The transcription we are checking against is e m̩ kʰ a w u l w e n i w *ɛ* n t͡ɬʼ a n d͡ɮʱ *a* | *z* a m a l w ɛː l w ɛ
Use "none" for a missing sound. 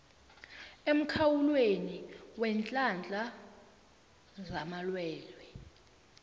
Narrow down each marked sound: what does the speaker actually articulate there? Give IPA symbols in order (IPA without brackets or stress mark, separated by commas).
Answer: ɛ, a, z